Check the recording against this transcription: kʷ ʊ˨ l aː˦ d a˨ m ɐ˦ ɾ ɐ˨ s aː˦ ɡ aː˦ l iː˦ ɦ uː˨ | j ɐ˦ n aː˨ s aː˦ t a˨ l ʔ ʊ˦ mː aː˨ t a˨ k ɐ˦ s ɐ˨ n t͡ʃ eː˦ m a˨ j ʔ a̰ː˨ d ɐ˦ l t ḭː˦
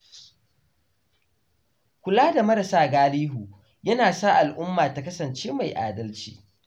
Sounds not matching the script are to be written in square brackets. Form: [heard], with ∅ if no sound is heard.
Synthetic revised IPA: kʷ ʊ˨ l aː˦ d a˨ m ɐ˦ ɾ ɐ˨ s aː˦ ɡ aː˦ l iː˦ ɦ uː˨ | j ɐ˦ n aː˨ s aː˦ [ʔ] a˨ l ʔ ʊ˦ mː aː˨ t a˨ k ɐ˦ s ɐ˨ n t͡ʃ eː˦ m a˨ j ʔ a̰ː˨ d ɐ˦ l [t͡ʃ] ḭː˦

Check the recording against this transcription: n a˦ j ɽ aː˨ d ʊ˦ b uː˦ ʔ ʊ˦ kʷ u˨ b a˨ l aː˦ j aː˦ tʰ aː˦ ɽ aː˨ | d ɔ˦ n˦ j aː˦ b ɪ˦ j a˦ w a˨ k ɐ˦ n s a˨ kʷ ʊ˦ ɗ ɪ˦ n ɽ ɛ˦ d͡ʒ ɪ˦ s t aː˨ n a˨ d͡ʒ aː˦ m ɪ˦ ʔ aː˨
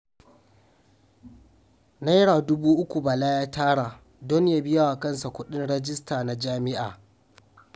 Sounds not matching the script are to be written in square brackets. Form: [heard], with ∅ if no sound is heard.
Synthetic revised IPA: n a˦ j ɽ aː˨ d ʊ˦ b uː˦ ʔ ʊ˦ kʷ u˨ b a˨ l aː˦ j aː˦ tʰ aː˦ ɽ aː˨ | d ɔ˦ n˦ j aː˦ b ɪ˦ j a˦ w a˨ k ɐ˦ n s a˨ kʷ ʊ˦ ɗ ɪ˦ n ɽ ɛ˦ d͡ʒ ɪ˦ s t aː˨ n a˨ d͡ʒ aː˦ m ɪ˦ ʔ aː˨

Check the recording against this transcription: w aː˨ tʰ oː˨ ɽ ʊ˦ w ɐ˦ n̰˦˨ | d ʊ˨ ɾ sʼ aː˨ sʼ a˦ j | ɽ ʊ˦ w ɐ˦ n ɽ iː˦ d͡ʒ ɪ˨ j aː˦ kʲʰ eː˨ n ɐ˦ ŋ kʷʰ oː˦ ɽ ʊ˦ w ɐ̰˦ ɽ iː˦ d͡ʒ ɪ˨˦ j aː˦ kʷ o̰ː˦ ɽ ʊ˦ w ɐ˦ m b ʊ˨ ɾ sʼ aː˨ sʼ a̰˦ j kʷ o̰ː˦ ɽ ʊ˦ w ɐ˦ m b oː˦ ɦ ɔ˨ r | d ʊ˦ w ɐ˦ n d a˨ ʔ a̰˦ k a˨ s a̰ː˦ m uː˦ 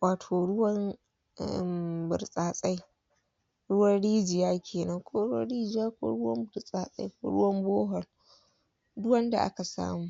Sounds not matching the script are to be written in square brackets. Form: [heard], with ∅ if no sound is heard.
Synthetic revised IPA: w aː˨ tʰ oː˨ ɽ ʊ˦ w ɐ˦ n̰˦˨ | [b] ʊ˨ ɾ sʼ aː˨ sʼ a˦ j | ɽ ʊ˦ w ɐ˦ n ɽ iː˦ d͡ʒ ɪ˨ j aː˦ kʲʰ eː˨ n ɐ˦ ŋ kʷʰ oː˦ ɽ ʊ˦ w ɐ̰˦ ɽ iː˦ d͡ʒ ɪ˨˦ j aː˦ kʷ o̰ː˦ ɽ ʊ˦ w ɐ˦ m b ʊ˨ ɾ sʼ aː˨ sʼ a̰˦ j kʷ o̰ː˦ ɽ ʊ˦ w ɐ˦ m b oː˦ ɦ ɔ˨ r | d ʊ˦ w ɐ˦ n d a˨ ʔ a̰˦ k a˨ s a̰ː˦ m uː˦

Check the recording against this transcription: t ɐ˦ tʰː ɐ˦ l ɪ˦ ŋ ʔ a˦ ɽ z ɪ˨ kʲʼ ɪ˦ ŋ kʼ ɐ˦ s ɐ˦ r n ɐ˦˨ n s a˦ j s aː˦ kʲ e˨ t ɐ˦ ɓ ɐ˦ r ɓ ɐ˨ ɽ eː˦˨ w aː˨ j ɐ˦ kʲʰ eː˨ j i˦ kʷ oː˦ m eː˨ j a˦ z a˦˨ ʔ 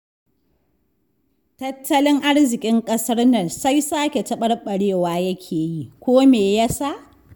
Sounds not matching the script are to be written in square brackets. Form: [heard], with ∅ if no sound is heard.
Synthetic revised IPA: t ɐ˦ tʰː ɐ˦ l ɪ˦ ŋ ʔ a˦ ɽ z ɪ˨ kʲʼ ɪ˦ ŋ kʼ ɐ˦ s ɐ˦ r n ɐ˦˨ n s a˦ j s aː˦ kʲ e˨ t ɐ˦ ɓ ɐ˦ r ɓ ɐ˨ ɽ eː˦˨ w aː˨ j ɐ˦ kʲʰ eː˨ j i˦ kʷ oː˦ m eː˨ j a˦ [s] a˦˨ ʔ

